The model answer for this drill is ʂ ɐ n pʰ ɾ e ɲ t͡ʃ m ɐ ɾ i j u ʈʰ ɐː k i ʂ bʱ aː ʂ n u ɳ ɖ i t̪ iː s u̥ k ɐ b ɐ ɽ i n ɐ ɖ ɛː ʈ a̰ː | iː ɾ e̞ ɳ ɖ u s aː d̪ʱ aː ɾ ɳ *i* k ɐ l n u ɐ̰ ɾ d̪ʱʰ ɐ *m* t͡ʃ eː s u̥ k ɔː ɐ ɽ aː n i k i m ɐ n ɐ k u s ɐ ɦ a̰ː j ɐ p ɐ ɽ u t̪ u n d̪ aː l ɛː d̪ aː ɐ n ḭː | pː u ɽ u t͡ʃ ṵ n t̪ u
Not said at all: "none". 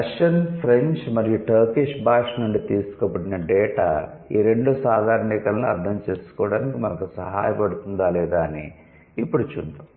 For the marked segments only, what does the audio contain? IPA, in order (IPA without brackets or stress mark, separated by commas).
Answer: i, m